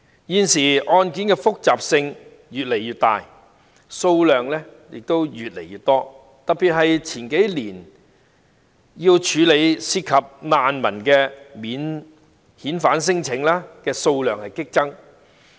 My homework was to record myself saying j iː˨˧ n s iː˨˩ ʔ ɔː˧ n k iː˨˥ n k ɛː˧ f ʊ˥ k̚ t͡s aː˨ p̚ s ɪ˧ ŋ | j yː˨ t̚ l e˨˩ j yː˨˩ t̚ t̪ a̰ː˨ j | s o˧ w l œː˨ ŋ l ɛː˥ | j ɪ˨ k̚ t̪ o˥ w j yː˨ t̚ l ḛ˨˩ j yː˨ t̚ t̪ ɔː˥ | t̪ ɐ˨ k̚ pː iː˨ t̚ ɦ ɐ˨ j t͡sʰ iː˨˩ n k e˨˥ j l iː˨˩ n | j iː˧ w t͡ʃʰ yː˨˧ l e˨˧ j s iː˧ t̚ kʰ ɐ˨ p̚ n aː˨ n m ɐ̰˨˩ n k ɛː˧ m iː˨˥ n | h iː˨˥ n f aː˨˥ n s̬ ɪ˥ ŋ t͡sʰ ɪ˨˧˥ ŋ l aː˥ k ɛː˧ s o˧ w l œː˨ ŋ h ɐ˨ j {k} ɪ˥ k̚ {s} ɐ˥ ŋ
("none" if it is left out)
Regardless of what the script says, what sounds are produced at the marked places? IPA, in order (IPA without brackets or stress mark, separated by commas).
k, t͡s